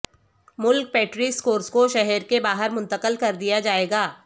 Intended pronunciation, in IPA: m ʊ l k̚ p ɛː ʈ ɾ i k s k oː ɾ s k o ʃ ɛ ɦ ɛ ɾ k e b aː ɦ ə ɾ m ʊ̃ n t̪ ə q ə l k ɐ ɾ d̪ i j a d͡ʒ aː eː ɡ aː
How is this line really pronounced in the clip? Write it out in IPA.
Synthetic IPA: m ʊ l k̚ p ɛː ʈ ɾ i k s k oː ɾ s k o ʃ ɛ ɦ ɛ ɾ k e b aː ɦ ə ɾ m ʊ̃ n t̪ ə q ə l k ɐ ɾ d̪ i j a d͡ʒ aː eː ɡ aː